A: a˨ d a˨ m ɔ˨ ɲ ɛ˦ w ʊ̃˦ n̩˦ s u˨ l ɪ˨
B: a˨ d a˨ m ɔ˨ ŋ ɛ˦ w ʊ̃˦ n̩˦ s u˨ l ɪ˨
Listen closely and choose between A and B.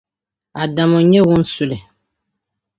A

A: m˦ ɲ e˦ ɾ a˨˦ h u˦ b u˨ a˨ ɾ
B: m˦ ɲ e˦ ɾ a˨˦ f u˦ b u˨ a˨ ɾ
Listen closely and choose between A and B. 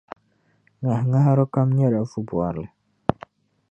B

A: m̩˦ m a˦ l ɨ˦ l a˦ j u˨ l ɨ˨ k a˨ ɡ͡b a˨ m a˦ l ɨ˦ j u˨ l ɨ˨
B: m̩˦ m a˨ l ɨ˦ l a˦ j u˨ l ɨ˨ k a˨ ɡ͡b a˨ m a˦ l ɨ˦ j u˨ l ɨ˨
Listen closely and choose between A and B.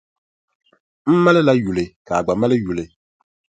A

